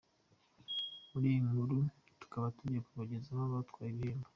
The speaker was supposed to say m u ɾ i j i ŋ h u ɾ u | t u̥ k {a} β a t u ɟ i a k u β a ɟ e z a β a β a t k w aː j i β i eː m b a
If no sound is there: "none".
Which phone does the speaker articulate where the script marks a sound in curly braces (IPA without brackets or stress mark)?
a